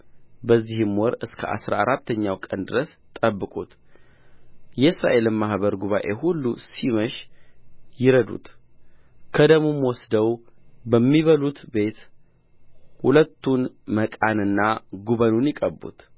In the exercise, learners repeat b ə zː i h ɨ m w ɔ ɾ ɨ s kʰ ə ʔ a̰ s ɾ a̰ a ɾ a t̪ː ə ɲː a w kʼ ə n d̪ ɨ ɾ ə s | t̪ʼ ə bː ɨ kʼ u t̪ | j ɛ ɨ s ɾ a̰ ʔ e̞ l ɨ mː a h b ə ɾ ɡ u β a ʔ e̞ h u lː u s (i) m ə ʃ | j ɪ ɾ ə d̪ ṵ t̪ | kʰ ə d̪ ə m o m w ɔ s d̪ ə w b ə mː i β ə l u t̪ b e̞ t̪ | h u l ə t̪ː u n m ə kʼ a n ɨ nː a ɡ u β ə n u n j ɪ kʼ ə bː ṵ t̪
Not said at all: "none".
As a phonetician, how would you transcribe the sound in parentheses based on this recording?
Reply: i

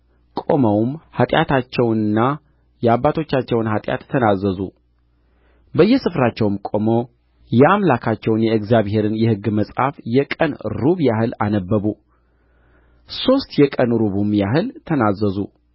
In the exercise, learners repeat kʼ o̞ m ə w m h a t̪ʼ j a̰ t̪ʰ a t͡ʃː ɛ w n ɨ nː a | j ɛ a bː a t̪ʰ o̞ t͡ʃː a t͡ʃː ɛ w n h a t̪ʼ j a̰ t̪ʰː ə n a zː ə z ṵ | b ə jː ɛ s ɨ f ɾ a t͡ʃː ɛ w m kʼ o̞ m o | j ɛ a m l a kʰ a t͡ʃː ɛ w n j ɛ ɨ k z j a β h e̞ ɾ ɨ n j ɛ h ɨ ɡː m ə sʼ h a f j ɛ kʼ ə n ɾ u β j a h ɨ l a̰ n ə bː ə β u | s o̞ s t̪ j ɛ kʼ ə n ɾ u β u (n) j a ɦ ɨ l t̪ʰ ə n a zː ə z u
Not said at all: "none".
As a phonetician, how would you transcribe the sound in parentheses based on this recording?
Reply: m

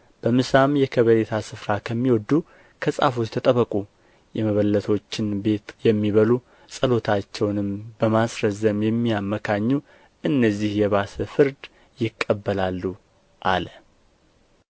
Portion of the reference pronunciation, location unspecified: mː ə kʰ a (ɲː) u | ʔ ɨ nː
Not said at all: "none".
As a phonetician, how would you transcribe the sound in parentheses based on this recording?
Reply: ɲː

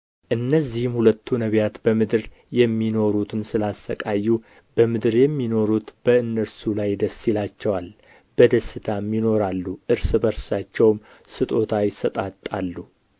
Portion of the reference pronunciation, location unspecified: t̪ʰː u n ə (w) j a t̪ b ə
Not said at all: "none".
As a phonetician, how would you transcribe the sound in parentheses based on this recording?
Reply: β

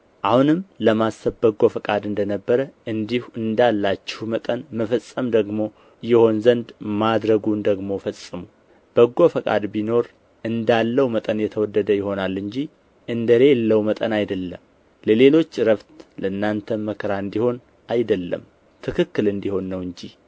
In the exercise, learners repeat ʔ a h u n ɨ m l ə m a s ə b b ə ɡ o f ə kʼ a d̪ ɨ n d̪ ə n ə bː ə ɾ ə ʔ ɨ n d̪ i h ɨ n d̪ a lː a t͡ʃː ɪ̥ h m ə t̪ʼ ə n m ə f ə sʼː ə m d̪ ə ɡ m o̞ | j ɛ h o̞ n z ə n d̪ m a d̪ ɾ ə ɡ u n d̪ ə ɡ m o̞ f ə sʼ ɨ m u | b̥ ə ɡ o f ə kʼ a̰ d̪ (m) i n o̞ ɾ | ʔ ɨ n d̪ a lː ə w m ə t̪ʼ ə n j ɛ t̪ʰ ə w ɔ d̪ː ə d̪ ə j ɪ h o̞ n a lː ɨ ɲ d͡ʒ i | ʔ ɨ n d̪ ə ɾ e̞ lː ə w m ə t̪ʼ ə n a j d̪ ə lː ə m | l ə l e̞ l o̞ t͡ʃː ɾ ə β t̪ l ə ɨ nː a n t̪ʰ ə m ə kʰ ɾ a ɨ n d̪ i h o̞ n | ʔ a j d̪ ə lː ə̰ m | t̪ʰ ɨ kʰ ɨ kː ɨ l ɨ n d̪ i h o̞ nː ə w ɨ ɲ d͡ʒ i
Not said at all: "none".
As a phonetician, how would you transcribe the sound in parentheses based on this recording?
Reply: b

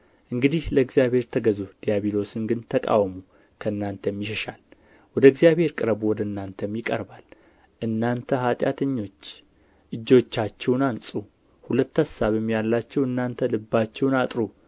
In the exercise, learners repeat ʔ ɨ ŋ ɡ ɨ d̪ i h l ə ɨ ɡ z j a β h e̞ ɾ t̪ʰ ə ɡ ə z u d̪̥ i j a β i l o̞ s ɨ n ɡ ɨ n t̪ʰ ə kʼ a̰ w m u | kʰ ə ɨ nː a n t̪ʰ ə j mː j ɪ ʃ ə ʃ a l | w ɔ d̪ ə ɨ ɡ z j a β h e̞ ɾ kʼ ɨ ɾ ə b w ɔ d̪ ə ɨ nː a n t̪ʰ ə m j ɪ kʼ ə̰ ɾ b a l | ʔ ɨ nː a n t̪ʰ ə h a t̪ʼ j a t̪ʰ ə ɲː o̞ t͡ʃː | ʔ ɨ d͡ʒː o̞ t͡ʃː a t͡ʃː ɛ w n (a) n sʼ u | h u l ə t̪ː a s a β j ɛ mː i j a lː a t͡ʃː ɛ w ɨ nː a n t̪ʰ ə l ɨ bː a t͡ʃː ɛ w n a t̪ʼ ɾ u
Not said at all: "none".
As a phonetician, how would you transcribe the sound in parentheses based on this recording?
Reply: a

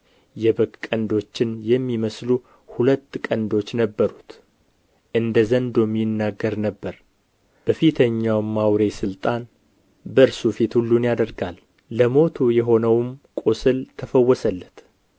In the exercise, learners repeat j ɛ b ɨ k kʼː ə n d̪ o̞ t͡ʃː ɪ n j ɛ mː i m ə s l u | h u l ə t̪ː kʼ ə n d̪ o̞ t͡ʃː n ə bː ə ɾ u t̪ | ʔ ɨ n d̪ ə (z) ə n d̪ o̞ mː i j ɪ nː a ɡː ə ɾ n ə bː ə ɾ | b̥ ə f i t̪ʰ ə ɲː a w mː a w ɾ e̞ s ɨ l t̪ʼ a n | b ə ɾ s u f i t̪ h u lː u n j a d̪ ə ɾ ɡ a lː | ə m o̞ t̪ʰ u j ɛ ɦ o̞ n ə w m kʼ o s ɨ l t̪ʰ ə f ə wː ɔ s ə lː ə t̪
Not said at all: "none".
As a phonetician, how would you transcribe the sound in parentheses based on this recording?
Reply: z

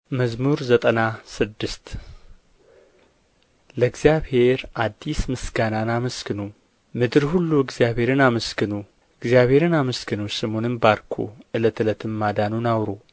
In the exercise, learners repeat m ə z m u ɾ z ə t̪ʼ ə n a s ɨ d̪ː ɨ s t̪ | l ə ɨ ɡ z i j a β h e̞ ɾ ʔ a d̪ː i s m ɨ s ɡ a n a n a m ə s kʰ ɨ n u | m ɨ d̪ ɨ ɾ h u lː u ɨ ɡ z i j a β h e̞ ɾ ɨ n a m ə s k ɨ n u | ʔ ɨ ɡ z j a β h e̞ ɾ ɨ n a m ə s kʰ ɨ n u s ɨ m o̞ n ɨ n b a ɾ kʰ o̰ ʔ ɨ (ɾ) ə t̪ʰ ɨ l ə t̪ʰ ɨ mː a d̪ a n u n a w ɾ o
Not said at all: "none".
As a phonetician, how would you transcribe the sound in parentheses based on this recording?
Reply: l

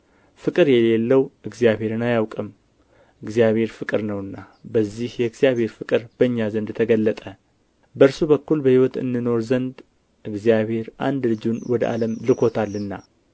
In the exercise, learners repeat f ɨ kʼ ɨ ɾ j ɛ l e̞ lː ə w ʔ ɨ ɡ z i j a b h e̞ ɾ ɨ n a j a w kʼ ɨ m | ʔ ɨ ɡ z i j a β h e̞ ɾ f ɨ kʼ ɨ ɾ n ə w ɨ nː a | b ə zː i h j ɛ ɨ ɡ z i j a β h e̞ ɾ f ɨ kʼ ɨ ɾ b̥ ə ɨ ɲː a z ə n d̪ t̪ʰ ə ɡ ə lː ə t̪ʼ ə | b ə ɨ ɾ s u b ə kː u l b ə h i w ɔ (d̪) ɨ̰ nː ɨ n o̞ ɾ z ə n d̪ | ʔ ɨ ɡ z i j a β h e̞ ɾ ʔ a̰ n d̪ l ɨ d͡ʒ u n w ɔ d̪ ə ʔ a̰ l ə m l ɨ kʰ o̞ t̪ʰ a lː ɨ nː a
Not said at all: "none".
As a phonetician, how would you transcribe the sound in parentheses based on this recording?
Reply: t̪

